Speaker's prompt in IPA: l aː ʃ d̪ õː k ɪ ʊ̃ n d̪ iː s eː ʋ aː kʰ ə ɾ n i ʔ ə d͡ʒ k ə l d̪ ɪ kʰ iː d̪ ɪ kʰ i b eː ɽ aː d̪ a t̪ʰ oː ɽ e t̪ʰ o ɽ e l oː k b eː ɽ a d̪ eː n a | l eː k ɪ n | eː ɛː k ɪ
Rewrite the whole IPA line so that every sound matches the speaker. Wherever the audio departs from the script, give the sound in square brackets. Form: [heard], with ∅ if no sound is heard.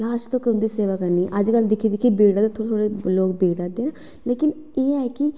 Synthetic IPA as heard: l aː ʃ [t̪] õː k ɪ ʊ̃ n d̪ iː s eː ʋ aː [k] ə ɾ n i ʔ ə d͡ʒ k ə l d̪ ɪ kʰ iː d̪ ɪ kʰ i b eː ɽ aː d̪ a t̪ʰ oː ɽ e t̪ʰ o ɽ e l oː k b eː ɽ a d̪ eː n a | l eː k ɪ n | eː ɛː k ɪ

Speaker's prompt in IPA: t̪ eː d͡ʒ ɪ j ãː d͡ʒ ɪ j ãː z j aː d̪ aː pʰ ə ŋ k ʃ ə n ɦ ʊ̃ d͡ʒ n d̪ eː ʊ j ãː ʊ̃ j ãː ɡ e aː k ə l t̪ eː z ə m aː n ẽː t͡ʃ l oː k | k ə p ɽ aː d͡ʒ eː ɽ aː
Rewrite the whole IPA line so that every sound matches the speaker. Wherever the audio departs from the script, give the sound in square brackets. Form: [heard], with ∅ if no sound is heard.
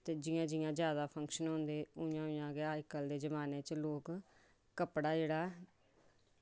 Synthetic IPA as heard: t̪ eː d͡ʒ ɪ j ãː d͡ʒ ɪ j ãː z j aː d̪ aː pʰ ə ŋ k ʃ ə n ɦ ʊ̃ [∅] n d̪ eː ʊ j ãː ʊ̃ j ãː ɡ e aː k ə l [d̪] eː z ə m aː n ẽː t͡ʃ l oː k | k ə p ɽ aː d͡ʒ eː ɽ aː

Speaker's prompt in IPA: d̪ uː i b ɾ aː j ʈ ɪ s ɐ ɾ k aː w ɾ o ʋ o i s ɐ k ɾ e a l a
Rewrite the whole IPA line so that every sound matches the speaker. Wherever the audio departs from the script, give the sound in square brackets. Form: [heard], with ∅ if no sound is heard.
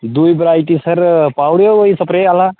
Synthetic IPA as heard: d̪ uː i b ɾ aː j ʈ [i] s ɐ ɾ [p] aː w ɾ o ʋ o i s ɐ [p] ɾ e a l a

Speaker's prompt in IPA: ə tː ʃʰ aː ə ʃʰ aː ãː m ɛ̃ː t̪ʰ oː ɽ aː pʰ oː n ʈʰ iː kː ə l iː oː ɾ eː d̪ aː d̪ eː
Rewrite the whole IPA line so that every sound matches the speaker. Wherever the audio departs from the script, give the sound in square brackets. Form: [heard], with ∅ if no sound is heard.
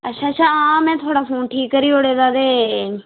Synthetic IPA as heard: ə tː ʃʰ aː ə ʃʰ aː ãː m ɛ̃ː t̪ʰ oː ɽ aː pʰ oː n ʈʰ iː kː ə [ɾ] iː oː [ɽ] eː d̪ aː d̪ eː

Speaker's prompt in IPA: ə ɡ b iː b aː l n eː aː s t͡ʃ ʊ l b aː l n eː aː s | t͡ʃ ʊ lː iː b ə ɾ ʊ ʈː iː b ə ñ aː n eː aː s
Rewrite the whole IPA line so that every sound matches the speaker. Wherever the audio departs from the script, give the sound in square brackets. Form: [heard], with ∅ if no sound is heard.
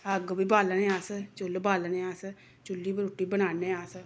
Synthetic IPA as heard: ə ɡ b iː b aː l n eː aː s t͡ʃ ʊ l b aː l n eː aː s | t͡ʃ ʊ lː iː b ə ɾ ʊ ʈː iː b ə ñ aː n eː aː s

